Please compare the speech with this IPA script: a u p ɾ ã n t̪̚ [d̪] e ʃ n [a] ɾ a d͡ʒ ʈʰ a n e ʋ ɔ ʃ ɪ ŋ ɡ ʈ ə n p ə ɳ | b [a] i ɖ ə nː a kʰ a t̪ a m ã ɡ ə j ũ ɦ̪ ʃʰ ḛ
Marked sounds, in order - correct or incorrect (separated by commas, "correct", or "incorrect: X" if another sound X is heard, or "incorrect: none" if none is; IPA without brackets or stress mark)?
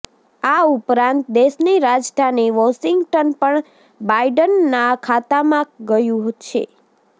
correct, incorrect: i, correct